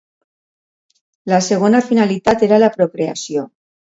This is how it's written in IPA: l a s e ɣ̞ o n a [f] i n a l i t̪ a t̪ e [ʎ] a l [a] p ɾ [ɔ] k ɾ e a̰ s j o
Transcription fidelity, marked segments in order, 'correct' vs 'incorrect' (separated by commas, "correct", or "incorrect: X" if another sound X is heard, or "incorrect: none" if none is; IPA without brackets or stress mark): correct, incorrect: ɾ, correct, incorrect: o